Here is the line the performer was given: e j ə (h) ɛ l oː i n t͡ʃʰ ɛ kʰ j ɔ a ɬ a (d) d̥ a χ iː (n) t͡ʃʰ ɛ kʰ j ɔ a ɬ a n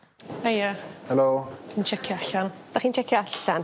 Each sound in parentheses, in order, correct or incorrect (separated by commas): correct, incorrect, correct